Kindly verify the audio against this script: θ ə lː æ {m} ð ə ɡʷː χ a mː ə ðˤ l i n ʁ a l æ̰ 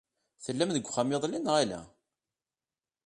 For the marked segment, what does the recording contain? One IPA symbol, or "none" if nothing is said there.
m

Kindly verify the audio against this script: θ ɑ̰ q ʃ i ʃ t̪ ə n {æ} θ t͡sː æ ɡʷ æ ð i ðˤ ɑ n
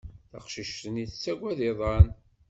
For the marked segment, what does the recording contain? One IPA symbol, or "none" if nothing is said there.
i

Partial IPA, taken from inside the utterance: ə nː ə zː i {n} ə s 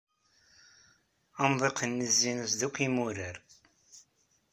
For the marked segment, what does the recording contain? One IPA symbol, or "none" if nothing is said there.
n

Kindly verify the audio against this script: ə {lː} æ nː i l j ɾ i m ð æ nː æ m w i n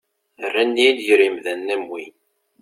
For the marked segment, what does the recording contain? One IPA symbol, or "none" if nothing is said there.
rː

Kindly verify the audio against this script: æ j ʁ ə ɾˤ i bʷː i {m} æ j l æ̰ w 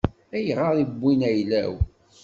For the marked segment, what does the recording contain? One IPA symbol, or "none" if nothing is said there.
n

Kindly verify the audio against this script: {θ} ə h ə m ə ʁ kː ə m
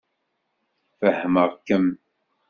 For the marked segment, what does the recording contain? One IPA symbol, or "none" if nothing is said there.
f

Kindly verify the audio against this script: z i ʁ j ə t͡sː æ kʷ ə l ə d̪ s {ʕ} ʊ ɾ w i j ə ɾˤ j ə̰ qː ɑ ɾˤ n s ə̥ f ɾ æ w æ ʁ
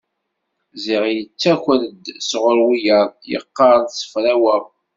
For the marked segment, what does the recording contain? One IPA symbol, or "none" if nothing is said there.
ʁ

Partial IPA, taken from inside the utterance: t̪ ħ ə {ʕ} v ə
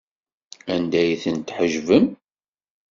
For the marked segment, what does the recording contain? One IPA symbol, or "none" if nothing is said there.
ʒ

